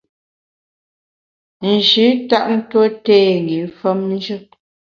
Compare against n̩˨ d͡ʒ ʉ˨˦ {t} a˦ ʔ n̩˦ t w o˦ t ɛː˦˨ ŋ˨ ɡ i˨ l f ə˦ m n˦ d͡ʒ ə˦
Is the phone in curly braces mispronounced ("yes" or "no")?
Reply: no